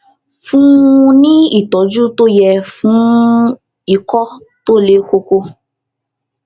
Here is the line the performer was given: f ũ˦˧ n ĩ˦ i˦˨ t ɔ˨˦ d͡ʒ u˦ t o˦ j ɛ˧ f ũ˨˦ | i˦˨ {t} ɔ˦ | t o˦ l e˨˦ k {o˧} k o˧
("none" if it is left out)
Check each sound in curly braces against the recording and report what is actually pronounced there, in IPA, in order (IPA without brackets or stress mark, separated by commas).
k, o˧